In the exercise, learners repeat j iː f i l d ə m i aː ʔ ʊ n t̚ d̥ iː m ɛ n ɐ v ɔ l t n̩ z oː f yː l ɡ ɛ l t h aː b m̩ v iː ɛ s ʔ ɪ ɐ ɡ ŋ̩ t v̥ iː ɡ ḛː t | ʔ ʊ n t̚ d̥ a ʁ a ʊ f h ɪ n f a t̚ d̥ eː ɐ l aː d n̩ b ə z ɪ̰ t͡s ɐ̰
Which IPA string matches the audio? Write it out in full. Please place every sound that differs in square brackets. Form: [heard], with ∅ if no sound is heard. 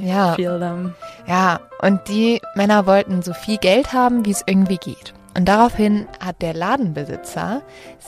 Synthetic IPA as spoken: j [aː] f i l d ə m [j] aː ʔ ʊ n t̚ d̥ iː m ɛ n ɐ v ɔ l t n̩ z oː f [iː] l ɡ ɛ l t h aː b m̩ v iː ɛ s ʔ ɪ ɐ ɡ ŋ̩ t v̥ iː ɡ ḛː t | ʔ ʊ n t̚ d̥ a ʁ a ʊ f h ɪ n [h] a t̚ d̥ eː ɐ l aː d n̩ b ə z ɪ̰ t͡s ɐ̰